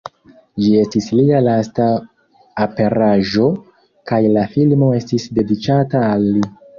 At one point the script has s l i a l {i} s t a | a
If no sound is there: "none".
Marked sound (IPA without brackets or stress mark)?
a